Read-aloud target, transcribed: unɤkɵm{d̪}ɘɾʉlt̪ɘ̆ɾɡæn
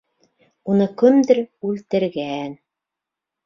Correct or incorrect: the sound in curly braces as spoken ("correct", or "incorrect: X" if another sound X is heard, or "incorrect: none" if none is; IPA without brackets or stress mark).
correct